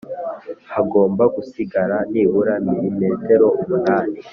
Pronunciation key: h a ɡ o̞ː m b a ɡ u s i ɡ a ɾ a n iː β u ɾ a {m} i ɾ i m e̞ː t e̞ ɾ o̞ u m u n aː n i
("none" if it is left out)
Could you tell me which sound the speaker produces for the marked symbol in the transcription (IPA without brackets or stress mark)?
m